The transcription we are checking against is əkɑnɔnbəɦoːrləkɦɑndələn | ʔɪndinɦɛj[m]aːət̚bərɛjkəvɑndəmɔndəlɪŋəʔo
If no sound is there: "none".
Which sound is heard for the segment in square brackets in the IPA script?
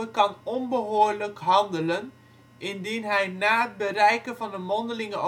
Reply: n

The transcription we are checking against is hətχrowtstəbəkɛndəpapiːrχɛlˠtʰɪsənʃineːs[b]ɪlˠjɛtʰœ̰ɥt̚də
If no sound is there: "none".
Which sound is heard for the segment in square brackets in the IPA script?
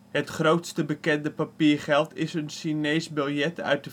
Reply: b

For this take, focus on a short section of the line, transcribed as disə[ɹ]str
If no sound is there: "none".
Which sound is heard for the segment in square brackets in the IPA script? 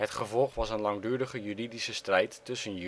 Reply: none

